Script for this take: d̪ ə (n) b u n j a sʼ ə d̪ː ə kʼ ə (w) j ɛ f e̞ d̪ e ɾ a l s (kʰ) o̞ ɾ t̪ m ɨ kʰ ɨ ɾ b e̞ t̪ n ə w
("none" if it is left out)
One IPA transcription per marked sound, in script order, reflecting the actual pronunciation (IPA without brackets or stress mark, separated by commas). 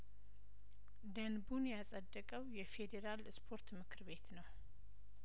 n, w, pʰ